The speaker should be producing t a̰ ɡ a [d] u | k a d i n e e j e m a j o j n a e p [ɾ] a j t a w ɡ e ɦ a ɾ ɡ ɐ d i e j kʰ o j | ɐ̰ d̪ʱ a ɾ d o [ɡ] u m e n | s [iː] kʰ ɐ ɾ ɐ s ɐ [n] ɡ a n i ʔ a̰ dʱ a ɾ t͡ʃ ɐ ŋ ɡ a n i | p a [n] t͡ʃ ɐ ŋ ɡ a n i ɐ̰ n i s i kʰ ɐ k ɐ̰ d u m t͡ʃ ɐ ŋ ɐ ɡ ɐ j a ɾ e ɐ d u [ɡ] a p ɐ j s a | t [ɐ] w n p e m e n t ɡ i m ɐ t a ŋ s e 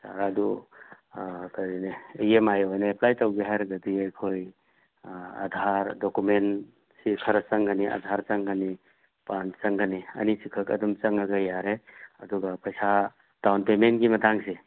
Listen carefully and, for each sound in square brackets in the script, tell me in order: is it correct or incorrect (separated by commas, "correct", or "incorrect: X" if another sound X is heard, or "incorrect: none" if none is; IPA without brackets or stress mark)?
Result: correct, incorrect: l, incorrect: k, incorrect: i, incorrect: ŋ, correct, correct, incorrect: a